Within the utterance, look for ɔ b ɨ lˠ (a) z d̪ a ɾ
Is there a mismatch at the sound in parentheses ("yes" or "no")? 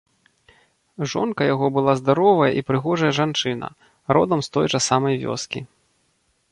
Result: no